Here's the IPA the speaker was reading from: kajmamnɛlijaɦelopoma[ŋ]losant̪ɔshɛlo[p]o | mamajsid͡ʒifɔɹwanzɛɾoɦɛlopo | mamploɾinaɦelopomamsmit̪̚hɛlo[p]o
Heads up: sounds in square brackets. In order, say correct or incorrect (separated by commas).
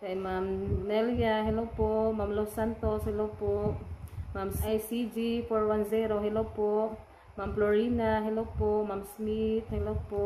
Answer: incorrect, correct, correct